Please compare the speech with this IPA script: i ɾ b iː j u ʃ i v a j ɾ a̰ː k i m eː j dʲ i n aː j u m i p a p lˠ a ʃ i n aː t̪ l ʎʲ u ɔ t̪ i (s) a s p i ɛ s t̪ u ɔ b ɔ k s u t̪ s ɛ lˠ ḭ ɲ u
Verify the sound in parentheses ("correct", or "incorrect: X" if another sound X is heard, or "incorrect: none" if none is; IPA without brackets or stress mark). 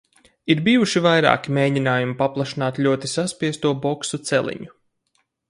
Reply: correct